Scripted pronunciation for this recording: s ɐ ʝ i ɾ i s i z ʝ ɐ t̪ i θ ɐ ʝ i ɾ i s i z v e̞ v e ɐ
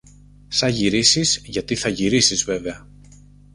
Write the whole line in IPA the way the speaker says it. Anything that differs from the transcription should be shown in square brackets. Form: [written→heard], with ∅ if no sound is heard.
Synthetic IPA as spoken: s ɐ ʝ i ɾ i s i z ʝ ɐ t̪ i θ ɐ ʝ i ɾ i s i z v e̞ v e ɐ